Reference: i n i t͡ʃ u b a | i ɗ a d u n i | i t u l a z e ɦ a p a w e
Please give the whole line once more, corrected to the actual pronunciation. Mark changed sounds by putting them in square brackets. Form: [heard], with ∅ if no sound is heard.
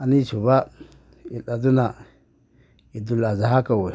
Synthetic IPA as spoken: [a] n i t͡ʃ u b a | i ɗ a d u n [a] | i [d] u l a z [a] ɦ a [k] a w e